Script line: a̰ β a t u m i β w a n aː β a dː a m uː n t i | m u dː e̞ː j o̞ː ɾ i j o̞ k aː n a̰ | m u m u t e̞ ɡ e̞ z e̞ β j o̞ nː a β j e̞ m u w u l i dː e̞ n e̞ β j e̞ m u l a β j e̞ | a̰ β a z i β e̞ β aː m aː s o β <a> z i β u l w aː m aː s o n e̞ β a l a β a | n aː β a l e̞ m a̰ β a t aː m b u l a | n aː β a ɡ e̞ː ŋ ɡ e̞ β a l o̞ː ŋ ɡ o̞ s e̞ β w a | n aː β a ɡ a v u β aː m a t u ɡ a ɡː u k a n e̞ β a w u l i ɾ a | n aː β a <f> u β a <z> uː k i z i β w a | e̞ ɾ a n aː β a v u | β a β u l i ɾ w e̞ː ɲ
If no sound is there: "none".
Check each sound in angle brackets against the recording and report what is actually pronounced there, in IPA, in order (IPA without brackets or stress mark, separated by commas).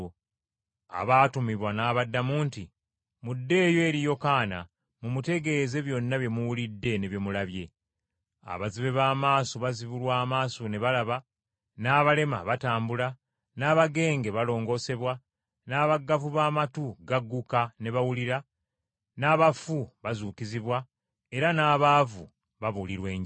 a, f, z